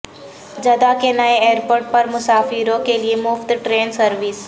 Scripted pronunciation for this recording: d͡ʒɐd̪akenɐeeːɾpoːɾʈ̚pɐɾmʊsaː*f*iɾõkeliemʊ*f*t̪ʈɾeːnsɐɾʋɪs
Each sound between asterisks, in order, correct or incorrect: correct, correct

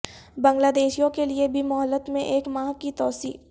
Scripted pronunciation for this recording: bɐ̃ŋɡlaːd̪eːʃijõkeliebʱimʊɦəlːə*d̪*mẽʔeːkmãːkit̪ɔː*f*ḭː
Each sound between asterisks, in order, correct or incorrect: incorrect: t̪, incorrect: s

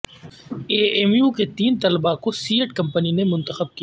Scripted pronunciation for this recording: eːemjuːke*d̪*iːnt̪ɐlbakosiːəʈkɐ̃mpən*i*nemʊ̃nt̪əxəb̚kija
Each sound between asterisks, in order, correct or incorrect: incorrect: t̪, correct

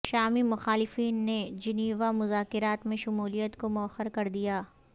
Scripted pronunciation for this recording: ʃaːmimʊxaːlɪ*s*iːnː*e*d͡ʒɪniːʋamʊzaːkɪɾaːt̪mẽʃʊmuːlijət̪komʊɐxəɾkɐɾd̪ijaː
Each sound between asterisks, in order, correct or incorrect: incorrect: f, correct

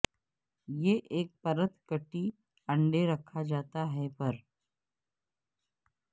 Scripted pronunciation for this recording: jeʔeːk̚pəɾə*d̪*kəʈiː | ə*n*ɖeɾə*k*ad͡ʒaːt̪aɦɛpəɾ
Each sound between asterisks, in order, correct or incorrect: incorrect: t̪, incorrect: ɳ, incorrect: kʰ

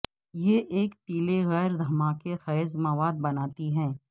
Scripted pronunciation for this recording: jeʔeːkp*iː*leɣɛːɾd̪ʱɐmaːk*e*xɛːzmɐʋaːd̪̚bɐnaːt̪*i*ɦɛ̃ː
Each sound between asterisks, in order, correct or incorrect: correct, correct, correct

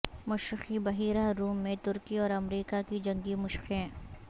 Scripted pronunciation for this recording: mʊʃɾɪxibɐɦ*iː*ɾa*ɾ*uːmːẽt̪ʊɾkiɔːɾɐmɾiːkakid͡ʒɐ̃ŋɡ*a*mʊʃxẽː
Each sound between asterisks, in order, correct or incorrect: correct, correct, incorrect: i

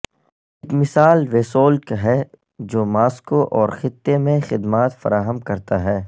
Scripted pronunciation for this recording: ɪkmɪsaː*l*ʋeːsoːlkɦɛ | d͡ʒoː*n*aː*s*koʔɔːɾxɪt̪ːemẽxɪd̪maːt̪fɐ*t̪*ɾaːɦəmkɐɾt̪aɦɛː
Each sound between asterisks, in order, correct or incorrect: correct, incorrect: m, correct, incorrect: none

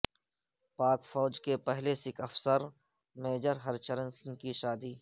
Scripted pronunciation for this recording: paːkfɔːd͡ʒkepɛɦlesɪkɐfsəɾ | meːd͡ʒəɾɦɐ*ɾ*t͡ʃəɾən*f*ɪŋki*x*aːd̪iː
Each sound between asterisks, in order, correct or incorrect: correct, incorrect: s, incorrect: ʃ

